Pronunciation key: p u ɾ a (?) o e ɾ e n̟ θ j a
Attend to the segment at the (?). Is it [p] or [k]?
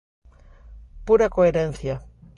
k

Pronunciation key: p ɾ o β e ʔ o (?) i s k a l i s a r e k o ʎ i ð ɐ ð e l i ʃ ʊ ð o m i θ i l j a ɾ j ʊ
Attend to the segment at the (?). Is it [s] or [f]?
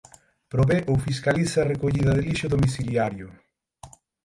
f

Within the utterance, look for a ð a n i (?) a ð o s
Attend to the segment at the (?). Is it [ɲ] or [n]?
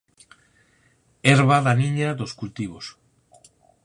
ɲ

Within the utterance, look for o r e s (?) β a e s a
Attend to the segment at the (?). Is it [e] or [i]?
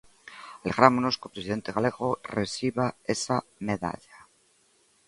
i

